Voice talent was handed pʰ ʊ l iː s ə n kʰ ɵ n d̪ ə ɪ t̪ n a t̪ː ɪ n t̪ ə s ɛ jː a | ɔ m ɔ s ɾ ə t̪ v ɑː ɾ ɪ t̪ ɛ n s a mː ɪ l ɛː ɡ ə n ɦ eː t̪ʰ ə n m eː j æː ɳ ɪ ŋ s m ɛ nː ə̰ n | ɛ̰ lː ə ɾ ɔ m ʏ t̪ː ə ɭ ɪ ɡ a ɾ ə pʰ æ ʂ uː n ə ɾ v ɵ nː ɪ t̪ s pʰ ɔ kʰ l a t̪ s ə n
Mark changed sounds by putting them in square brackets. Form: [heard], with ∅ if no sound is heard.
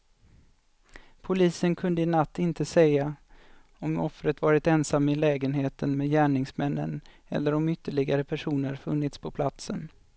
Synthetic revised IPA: pʰ ʊ l iː s ə n kʰ ɵ n d̪ ə ɪ [∅] n a t̪ː ɪ n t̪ ə s ɛ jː a | ɔ m ɔ [f] ɾ ə t̪ v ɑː ɾ ɪ t̪ ɛ n s a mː ɪ l ɛː ɡ ə n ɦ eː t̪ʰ ə n m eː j æː ɳ ɪ ŋ s m ɛ nː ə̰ n | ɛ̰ lː ə ɾ ɔ m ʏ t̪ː ə ɭ ɪ ɡ a ɾ ə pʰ æ ʂ uː n ə ɾ [f] ɵ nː ɪ t̪ s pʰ ɔ [pʰ] l a t̪ s ə n